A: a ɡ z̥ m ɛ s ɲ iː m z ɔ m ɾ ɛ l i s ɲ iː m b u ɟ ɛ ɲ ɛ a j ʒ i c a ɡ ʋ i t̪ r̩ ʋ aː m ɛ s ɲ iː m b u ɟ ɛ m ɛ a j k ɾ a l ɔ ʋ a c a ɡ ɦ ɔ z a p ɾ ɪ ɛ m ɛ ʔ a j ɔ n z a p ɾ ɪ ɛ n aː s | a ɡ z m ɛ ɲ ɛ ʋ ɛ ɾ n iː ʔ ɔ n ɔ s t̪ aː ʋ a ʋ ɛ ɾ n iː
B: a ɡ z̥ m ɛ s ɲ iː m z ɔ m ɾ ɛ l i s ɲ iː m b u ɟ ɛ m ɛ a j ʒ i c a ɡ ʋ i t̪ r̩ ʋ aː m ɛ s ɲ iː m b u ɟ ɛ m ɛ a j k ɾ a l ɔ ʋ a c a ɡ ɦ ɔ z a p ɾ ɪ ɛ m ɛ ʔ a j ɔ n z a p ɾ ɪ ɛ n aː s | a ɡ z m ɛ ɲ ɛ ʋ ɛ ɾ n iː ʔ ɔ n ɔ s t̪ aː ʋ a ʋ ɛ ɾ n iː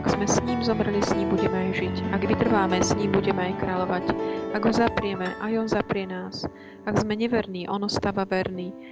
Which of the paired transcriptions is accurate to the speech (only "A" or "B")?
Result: B